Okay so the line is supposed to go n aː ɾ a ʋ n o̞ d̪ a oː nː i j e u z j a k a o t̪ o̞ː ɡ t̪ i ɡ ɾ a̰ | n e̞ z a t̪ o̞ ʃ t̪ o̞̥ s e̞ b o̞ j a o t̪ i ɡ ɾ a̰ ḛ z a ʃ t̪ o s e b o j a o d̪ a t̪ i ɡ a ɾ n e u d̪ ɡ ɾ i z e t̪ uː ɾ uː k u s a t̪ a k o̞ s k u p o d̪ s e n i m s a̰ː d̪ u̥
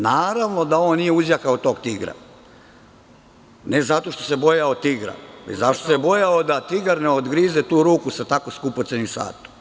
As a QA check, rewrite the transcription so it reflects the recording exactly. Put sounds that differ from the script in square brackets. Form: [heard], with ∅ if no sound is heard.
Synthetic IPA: n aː ɾ a ʋ n o̞ d̪ a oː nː i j e u z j a k a o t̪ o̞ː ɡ t̪ i ɡ ɾ a̰ | n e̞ z a t̪ o̞ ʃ t̪ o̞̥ s e̞ b o̞ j a o t̪ i ɡ ɾ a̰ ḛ z a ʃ t̪ o s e b o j a o d̪ a t̪ i ɡ a ɾ n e [o] d̪ ɡ ɾ i z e t̪ uː ɾ uː k u s a t̪ a k o̞ s k u p o [t̪] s e n i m s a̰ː [t̪] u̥